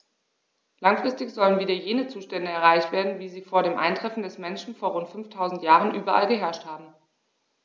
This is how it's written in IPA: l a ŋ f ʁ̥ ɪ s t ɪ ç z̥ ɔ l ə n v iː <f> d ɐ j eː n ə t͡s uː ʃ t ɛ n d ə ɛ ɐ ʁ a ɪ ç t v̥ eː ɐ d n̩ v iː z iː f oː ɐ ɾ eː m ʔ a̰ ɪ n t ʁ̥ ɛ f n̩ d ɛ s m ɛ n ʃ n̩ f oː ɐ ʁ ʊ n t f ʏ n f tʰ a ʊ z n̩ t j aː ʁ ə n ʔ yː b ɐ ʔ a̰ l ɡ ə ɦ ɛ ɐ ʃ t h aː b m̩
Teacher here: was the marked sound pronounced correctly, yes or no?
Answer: no